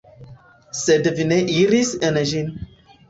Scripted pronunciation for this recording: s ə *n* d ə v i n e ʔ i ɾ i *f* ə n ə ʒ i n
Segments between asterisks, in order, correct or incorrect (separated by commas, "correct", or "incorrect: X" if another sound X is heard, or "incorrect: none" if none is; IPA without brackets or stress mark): incorrect: none, incorrect: s